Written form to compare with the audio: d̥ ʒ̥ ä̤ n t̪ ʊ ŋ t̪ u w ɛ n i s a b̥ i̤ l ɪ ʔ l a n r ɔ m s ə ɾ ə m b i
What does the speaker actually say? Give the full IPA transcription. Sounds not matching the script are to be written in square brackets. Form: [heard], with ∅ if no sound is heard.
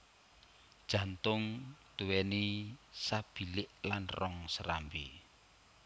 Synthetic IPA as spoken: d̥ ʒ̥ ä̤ n t̪ ʊ ŋ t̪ u w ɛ n i s a b̥ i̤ l ɪ ʔ l a n r ɔ [ŋ] s ə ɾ [a] m b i